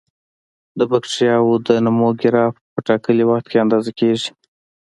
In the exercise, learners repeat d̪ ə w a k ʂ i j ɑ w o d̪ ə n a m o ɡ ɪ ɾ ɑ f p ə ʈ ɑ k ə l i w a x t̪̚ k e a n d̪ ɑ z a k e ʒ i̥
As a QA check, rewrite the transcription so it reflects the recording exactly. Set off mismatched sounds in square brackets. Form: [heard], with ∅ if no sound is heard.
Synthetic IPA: d̪ ə [b] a k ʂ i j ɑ w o d̪ ə n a m o ɡ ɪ ɾ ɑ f p ə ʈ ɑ k ə l i w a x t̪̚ k e a n d̪ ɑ z a k e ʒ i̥